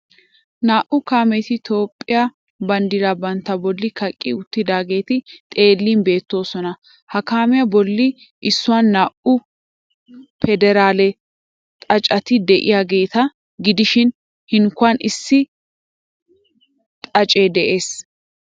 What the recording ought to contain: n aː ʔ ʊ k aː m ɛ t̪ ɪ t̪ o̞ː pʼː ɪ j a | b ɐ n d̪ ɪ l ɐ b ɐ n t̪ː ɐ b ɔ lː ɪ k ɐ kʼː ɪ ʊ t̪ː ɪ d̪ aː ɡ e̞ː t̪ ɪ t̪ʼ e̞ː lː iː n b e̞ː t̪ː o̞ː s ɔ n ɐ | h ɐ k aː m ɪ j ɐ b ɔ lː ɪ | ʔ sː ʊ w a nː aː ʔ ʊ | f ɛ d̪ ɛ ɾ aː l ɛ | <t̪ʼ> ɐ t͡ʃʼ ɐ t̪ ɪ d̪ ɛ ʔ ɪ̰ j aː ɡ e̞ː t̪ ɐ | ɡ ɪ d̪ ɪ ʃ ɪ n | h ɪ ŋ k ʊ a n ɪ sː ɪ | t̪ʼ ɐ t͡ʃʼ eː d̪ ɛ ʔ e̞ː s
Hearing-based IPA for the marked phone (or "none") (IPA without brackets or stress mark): t̪ʼ